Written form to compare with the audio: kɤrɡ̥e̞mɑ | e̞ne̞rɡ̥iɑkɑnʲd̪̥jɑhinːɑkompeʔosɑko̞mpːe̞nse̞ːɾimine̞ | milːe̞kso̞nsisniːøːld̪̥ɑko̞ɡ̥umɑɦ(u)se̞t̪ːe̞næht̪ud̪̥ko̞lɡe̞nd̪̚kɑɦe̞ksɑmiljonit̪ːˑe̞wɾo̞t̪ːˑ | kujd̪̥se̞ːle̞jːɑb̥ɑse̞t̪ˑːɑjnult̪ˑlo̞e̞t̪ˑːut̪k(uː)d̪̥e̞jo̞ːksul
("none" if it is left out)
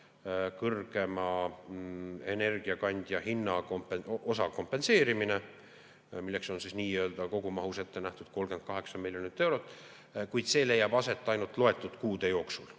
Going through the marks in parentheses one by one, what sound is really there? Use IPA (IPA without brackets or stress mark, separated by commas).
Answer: u, uː